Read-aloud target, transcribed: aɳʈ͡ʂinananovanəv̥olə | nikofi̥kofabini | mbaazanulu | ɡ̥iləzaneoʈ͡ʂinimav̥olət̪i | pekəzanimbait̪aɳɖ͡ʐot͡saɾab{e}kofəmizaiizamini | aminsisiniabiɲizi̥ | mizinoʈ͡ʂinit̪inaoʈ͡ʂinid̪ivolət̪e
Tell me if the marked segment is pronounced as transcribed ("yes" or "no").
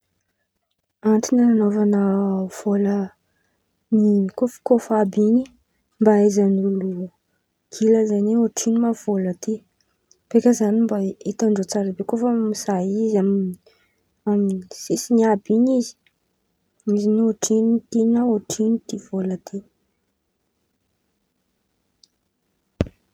yes